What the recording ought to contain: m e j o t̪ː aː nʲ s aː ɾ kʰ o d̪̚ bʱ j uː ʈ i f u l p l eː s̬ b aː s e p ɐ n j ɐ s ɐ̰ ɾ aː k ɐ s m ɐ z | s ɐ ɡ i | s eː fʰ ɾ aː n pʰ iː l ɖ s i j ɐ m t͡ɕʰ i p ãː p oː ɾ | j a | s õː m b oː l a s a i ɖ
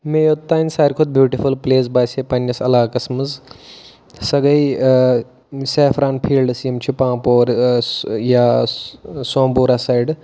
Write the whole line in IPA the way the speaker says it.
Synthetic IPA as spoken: m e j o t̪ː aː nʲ s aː ɾ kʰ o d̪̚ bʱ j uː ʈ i f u l p l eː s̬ b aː s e p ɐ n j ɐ s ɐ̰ l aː k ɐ s m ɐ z | s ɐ ɡ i | s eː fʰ ɾ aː n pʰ iː l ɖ s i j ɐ m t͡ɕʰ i p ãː p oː ɾ | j a | s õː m b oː ɾ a s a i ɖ